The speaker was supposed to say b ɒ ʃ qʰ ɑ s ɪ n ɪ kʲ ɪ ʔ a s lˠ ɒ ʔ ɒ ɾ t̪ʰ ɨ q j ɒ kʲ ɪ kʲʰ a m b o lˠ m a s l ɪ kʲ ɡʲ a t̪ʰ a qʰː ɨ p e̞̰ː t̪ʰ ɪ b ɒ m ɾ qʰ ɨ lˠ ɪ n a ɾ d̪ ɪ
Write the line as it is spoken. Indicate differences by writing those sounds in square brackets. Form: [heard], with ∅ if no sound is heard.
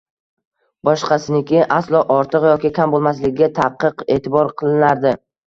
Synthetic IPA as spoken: b ɒ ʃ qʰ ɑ s ɪ n ɪ kʲ ɪ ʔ a s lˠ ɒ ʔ ɒ ɾ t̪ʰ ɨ q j ɒ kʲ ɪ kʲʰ a m b o lˠ m a s l ɪ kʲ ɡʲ a t̪ʰ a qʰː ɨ [q] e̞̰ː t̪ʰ ɪ b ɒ [∅] ɾ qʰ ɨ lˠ ɪ n a ɾ d̪ ɪ